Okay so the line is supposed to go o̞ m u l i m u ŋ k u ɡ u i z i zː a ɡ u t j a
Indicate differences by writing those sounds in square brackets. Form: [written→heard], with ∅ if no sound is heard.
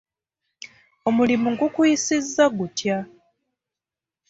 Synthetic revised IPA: o̞ m u l i m u ŋ [k→ɡ] u [ɡ→k] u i [z→s] i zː a ɡ u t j a